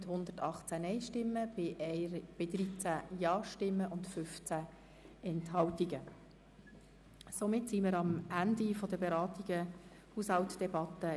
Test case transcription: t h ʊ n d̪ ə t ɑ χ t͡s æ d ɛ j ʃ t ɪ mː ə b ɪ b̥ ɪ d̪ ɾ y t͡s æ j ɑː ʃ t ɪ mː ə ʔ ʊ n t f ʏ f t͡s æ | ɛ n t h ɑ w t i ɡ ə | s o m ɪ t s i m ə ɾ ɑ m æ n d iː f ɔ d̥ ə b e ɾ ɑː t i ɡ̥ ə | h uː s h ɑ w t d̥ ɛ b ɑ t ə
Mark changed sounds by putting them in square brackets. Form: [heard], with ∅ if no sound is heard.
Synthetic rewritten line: t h ʊ n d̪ ə t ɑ χ t͡s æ [n] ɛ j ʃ t ɪ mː ə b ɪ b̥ ɪ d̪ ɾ [i] t͡s æ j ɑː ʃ t ɪ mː ə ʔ ʊ n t f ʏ f t͡s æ | ɛ n t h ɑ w t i ɡ ə | s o m ɪ t s i m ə ɾ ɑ m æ n d [i] f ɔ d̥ ə b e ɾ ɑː t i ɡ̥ ə | h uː s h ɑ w t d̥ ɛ b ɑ t ə